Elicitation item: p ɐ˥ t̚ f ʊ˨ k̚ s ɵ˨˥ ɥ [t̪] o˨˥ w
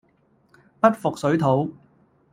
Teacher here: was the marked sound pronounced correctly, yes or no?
no